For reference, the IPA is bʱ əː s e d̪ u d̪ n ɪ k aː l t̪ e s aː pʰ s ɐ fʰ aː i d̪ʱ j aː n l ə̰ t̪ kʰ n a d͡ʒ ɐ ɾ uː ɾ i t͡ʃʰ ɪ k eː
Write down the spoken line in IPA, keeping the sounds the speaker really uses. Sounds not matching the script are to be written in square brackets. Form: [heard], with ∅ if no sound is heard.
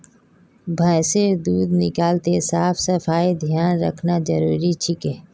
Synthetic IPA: bʱ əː s e d̪ [uː] d̪ n ɪ k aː l t̪ e s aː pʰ s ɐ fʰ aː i d̪ʱ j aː n [ɾ] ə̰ [∅] kʰ n a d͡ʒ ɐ ɾ uː ɾ i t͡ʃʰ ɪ k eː